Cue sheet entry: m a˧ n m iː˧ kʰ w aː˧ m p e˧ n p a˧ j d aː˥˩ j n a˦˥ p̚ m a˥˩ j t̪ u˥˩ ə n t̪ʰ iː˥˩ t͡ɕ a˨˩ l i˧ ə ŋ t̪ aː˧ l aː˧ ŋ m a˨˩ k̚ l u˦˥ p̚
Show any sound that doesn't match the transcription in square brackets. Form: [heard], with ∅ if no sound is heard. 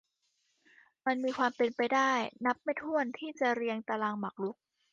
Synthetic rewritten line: m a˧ n m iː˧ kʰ w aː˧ m p e˧ n p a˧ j d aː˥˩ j n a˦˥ p̚ m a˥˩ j [t̪ʰ] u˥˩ ə n t̪ʰ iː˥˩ t͡ɕ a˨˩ [ɾ] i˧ ə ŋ t̪ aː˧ l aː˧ ŋ m a˨˩ k̚ l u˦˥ [k̚]